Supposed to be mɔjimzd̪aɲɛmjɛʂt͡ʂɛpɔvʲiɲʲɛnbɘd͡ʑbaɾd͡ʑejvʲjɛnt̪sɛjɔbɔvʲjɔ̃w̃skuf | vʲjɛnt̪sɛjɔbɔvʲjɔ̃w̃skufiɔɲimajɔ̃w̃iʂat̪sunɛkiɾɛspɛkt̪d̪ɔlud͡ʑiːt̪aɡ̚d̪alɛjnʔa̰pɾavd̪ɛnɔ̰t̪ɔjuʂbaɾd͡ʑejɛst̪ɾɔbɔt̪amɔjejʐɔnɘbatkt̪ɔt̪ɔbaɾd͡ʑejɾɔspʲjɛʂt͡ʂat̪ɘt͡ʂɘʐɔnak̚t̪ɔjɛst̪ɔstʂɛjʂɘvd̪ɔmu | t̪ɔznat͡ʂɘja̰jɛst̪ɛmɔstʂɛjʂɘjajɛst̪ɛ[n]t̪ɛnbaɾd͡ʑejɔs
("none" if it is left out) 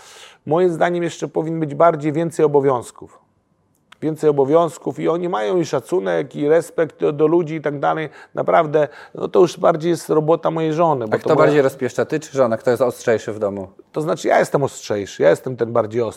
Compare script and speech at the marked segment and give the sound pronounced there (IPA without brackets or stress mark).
m